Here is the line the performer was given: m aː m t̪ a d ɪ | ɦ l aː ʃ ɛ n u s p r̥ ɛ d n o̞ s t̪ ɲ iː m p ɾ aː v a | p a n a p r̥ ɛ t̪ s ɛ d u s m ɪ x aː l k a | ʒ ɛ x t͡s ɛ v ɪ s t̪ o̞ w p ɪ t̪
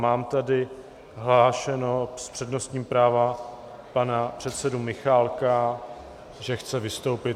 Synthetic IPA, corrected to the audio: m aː m t̪ a d ɪ | ɦ l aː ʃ ɛ n o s p r̥ ɛ d n o̞ s t̪ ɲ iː m p ɾ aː v a | p a n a p r̥ ɛ t̪ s ɛ d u m ɪ x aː l k a | ʒ ɛ x t͡s ɛ v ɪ s t̪ o̞ w p ɪ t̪